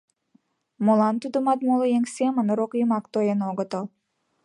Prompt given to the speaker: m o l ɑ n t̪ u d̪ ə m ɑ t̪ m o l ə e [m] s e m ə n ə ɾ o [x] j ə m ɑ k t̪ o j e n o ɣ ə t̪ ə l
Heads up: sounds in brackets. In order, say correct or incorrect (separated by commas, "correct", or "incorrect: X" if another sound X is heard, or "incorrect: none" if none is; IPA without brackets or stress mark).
incorrect: ŋ, incorrect: k